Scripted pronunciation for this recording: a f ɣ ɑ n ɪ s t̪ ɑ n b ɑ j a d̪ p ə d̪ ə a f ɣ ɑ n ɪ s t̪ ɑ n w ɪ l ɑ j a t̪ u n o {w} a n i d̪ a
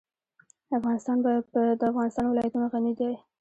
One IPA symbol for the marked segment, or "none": ɣ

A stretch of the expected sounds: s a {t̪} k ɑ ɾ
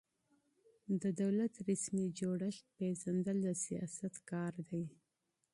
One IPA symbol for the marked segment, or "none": t̪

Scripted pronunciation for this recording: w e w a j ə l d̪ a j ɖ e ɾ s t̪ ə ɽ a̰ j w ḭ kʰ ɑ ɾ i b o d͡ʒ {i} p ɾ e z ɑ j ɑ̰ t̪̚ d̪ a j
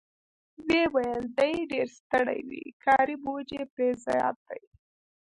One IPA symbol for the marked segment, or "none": e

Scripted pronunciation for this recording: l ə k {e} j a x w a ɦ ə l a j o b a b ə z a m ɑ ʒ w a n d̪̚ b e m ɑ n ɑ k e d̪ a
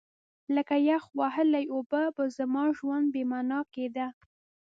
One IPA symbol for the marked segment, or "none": a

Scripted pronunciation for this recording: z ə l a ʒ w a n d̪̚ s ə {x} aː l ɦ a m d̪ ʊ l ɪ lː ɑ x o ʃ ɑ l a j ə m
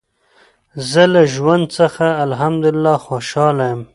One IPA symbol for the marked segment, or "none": x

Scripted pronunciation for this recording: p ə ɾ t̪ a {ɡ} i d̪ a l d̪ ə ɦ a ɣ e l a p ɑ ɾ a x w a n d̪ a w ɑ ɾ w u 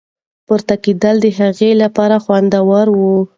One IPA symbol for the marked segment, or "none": k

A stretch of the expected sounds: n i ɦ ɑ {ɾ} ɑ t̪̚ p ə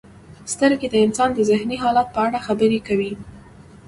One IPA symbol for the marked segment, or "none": l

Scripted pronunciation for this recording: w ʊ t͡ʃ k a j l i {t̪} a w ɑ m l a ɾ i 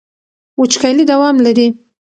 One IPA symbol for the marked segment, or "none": d̪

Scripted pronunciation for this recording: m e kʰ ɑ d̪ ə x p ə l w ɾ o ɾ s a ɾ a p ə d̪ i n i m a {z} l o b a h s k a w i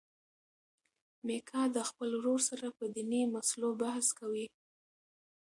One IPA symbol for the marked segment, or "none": s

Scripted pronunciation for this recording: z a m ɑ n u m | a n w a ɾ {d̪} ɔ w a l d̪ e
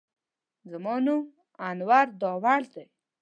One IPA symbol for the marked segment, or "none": d̪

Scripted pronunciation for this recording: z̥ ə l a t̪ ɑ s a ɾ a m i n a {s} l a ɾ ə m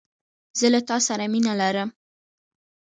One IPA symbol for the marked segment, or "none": none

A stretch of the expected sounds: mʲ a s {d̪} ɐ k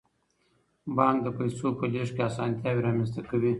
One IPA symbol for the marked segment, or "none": t̪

